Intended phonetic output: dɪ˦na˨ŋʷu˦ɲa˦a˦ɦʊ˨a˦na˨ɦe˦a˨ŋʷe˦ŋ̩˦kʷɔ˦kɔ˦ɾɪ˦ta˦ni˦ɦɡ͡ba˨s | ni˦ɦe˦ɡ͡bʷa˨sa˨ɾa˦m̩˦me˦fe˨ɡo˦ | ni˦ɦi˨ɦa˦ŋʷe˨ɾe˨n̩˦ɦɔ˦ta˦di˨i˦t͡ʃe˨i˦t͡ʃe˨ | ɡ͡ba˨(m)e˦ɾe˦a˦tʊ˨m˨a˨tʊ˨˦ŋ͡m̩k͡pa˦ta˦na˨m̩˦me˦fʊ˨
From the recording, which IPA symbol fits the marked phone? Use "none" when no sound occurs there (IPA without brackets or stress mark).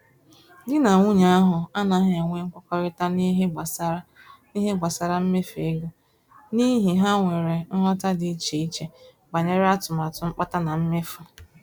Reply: ɲ